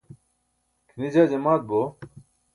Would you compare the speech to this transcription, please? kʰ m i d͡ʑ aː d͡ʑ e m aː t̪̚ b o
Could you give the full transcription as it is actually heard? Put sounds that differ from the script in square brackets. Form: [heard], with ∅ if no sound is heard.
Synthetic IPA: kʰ [n] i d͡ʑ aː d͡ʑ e m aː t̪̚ b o